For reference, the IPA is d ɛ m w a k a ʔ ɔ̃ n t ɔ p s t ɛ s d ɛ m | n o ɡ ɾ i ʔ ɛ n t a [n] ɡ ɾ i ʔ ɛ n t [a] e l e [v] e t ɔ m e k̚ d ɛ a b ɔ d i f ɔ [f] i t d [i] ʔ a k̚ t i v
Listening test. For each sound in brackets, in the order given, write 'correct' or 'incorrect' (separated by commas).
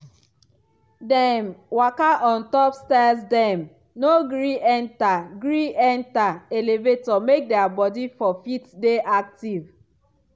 incorrect, correct, correct, correct, incorrect